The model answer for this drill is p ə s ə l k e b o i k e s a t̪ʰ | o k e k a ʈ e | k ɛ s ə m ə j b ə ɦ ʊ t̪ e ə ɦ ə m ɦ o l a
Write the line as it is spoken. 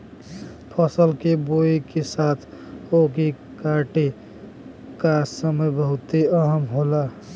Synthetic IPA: pʰ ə s ə l k e b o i k e s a t̪ʰ | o k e k a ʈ e | k a s ə m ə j b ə ɦ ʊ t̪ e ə ɦ ə m ɦ o l a